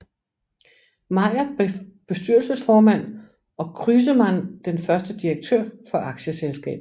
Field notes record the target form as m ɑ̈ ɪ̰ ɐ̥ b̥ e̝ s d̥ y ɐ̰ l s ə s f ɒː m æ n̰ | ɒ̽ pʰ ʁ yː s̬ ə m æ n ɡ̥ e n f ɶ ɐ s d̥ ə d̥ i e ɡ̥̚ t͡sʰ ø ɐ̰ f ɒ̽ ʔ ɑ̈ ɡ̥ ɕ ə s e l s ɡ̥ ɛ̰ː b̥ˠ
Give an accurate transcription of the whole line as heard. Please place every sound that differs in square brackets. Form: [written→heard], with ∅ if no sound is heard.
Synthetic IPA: m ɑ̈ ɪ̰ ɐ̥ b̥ e̝ s d̥ y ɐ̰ l s ə s f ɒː m æ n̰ | ɒ̽ [pʰ→kʰ] ʁ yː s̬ ə m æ n [ɡ̥→d̥] e n f ɶ ɐ s d̥ ə d̥ i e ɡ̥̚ t͡sʰ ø ɐ̰ f ɒ̽ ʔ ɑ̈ ɡ̥ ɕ ə s e l s ɡ̥ ɛ̰ː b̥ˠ